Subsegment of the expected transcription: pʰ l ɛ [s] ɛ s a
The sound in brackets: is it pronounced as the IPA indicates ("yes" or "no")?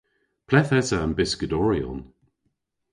no